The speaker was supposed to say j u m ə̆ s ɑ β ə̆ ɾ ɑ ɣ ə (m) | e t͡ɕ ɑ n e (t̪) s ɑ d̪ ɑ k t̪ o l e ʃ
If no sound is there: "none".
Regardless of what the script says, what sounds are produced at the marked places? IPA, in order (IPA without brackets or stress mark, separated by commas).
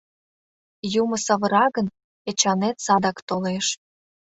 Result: n, t̪